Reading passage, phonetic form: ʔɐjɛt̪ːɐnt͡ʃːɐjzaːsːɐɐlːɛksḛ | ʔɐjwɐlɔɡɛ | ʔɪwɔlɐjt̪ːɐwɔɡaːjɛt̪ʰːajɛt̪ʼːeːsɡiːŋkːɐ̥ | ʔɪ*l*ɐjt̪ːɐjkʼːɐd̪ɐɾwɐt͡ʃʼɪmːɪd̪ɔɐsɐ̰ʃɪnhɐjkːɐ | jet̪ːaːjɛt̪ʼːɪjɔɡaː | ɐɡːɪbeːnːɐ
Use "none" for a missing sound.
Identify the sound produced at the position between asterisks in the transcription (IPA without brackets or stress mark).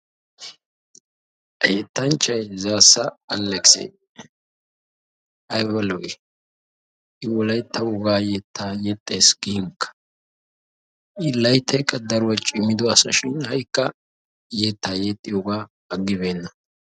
l